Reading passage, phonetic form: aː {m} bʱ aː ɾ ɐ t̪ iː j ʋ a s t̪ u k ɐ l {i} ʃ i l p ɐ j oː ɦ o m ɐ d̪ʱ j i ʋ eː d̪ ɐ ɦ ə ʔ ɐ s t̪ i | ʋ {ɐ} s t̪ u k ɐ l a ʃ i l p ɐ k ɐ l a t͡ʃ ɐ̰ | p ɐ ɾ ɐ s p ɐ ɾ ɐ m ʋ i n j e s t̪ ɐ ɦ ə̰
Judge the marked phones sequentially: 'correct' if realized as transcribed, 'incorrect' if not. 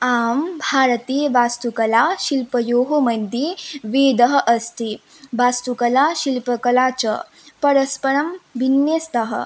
correct, incorrect, incorrect

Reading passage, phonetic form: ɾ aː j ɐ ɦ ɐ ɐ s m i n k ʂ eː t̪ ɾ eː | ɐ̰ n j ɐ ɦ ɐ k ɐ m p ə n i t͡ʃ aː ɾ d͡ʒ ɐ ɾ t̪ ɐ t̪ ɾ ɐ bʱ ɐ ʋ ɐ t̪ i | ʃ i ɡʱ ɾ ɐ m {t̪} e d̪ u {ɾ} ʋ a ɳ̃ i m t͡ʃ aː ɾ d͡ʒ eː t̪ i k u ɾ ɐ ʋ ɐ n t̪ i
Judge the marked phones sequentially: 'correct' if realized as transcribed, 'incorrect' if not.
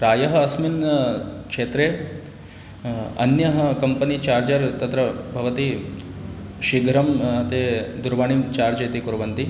correct, correct

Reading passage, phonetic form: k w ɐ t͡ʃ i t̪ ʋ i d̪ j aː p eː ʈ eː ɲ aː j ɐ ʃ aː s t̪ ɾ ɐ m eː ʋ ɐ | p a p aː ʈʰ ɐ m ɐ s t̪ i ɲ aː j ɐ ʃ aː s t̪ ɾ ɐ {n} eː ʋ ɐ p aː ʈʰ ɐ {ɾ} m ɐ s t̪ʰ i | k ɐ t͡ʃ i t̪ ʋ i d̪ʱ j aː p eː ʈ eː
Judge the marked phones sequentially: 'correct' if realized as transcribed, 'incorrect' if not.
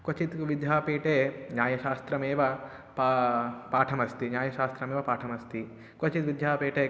incorrect, incorrect

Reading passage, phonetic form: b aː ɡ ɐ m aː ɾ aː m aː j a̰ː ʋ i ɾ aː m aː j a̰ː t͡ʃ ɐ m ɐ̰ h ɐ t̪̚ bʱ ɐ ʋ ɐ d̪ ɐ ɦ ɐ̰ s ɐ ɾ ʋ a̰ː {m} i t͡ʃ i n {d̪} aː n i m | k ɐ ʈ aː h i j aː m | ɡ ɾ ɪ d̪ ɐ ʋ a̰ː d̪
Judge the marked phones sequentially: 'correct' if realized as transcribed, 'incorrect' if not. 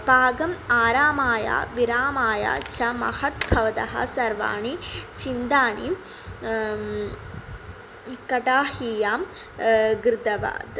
incorrect, correct

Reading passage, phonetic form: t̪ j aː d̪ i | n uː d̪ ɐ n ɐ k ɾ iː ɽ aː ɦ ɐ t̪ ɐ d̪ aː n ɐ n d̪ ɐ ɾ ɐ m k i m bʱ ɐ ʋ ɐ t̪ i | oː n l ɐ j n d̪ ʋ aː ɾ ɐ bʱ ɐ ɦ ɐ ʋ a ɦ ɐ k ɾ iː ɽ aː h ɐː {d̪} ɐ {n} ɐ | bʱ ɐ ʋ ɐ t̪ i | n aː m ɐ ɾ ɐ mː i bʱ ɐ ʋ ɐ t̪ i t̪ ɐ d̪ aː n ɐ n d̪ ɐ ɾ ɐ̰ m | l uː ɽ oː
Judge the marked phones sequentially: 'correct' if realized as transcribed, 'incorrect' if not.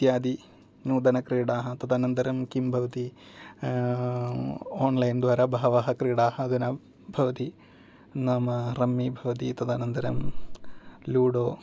correct, correct

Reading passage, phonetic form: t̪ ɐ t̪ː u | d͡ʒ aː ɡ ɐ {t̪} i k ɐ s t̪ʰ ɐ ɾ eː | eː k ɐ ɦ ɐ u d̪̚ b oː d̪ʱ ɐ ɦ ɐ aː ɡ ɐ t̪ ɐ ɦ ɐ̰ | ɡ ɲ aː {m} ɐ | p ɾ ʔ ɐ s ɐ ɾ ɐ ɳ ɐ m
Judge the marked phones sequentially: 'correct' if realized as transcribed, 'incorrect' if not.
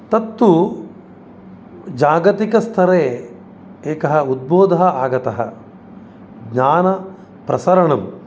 correct, incorrect

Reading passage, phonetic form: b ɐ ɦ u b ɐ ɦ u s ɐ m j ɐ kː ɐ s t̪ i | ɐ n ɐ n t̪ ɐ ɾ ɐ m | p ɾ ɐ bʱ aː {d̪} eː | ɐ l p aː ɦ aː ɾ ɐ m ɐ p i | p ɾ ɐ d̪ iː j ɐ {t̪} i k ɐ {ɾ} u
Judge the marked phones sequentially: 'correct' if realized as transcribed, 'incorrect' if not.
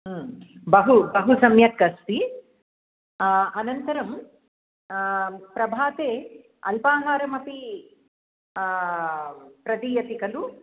incorrect, correct, incorrect

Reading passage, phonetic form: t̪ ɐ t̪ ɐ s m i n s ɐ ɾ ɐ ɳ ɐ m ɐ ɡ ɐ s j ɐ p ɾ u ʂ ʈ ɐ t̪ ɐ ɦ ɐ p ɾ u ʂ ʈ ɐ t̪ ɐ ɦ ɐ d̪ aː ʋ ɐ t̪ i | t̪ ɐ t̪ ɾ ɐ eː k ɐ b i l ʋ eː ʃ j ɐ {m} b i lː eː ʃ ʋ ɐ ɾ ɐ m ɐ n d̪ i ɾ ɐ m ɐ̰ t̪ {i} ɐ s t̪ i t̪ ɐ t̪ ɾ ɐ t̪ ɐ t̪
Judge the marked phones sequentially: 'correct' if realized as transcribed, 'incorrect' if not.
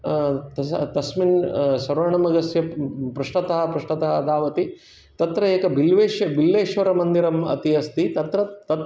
incorrect, correct

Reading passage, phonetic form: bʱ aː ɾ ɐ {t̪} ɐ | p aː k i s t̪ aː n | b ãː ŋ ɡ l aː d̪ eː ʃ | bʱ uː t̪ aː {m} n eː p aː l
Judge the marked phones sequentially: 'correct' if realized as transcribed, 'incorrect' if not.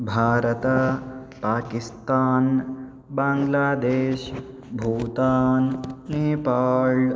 correct, incorrect

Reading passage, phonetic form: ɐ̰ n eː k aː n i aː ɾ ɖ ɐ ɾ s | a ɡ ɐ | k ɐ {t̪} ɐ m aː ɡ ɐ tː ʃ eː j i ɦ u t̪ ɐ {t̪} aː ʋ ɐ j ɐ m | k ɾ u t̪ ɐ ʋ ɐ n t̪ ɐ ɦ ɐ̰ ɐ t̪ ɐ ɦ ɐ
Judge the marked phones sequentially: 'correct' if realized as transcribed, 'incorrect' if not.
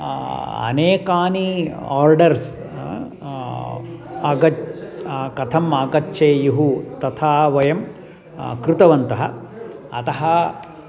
incorrect, incorrect

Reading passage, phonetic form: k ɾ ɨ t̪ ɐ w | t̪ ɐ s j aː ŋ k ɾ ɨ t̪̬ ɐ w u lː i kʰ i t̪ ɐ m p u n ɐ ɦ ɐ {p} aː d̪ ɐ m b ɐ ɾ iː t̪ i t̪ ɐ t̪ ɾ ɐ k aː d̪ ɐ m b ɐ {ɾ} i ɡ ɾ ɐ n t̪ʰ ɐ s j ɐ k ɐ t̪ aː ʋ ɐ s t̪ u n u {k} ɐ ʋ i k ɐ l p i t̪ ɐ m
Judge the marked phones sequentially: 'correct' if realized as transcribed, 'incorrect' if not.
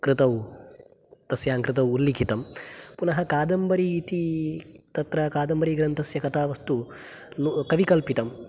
incorrect, correct, correct

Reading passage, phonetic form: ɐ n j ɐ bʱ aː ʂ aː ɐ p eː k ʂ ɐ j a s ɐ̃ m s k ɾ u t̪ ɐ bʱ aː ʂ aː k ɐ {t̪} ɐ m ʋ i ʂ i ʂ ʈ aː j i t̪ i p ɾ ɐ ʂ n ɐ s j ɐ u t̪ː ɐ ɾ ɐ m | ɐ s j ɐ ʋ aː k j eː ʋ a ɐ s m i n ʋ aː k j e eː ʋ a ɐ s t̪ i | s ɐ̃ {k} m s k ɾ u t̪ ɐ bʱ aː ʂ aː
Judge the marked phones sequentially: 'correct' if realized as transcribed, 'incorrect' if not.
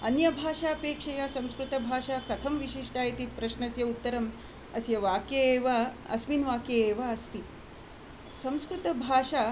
incorrect, incorrect

